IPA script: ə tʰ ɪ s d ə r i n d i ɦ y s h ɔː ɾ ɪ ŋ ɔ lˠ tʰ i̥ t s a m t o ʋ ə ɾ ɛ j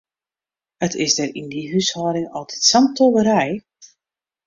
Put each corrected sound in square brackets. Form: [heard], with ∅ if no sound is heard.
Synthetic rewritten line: ə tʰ ɪ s d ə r i n d i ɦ y s h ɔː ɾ ɪ ŋ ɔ lˠ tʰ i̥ t s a m t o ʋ ə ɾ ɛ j